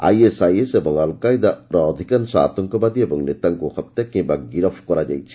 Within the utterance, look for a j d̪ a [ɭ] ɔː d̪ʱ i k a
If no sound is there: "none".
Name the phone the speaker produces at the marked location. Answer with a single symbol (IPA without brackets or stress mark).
ɾ